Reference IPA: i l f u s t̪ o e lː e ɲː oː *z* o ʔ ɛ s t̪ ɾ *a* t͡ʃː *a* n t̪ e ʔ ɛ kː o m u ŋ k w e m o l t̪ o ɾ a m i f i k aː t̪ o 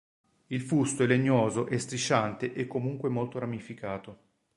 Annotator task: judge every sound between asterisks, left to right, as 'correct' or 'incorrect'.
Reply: correct, incorrect: i, correct

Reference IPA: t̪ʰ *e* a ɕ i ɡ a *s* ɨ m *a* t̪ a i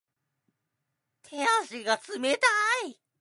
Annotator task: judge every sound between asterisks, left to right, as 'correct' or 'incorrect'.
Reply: correct, incorrect: t͡s, incorrect: e

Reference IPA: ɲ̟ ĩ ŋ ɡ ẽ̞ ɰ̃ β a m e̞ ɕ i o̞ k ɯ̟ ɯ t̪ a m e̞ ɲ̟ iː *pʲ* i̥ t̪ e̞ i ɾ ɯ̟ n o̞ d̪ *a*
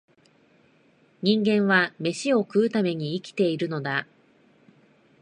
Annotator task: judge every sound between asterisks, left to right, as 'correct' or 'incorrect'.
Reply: incorrect: kʲ, correct

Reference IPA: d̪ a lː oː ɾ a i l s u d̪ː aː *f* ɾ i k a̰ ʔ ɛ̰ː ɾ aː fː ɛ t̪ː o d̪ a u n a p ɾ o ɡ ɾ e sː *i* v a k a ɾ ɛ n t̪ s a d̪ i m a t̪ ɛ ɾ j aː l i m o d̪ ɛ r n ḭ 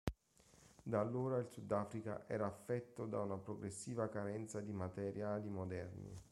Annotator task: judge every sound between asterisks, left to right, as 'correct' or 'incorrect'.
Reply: correct, incorrect: iː

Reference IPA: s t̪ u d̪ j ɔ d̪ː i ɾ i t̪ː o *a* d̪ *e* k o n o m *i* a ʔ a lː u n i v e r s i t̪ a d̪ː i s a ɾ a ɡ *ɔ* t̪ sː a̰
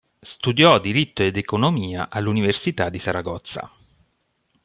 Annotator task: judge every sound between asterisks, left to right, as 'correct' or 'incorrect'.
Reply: incorrect: e, correct, incorrect: iː, correct

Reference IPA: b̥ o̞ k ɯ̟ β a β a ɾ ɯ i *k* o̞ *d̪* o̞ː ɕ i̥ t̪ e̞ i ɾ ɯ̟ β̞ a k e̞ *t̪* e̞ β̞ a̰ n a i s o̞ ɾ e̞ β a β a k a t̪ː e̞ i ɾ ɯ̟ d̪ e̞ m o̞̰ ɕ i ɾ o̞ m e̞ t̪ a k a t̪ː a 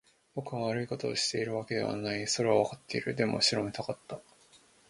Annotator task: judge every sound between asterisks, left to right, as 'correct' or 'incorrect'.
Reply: correct, incorrect: t̪, incorrect: d̪

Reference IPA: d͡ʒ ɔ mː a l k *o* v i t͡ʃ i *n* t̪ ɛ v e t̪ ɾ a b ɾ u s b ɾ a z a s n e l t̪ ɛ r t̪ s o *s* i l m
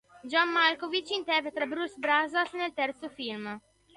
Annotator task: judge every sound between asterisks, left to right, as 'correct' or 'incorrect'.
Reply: correct, correct, incorrect: f

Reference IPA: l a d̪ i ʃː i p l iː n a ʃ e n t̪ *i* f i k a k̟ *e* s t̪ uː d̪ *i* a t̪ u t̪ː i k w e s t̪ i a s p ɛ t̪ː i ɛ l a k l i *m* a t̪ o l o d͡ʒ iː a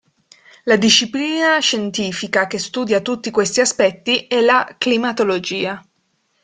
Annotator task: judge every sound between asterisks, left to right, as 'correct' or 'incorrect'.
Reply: incorrect: iː, correct, incorrect: j, correct

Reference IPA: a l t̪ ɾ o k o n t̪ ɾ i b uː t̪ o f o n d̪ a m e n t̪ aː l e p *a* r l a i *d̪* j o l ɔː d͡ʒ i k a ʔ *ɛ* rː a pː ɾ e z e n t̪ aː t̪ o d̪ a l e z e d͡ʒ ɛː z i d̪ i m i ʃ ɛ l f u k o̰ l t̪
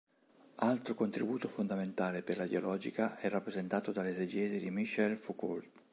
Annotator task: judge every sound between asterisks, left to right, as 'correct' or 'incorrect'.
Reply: incorrect: e, correct, correct

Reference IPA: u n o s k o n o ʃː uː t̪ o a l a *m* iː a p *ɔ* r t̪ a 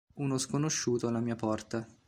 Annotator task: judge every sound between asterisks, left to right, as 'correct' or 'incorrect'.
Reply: correct, correct

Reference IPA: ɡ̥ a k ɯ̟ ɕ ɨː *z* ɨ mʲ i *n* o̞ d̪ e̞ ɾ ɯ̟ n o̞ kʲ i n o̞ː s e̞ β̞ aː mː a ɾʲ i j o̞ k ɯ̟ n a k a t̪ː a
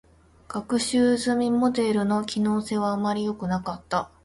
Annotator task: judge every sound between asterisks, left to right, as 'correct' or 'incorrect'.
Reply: correct, incorrect: m

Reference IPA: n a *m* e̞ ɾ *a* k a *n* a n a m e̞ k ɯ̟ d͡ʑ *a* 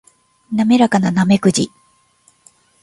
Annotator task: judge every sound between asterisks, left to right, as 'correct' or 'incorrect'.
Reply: correct, correct, correct, incorrect: i

